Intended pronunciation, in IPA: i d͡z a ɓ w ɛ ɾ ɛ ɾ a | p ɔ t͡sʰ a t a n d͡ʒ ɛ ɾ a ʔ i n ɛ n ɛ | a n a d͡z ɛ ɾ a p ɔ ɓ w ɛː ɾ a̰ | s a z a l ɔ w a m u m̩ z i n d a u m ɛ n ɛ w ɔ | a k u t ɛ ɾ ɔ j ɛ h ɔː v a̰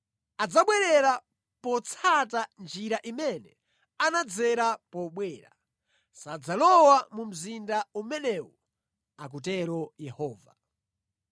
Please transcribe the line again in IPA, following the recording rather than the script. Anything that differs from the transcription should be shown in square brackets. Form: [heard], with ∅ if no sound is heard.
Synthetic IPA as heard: [a] d͡z a ɓ w ɛ ɾ ɛ ɾ a | p ɔ t͡sʰ a t a n d͡ʒ [i] ɾ a ʔ i [m] ɛ n ɛ | a n a d͡z ɛ ɾ a p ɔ ɓ w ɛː ɾ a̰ | s a [d͡z] a l ɔ w a m u m̩ z i n d a u m ɛ n ɛ w ɔ | a k u t ɛ ɾ ɔ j ɛ h ɔː v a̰